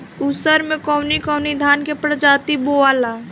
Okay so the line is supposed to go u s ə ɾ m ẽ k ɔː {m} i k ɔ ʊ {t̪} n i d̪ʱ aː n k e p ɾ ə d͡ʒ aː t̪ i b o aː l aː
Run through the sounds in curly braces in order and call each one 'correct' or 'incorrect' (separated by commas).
incorrect, incorrect